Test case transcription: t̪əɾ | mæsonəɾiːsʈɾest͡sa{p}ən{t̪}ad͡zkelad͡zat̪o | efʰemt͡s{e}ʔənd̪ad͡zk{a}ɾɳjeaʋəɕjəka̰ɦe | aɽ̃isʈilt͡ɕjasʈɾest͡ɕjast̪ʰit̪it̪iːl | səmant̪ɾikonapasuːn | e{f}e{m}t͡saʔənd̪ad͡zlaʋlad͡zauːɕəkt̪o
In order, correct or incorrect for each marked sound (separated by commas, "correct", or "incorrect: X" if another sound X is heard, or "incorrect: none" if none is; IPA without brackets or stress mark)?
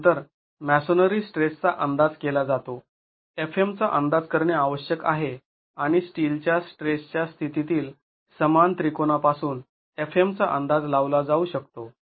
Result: incorrect: ʔ, incorrect: d̪, incorrect: a, incorrect: ə, correct, correct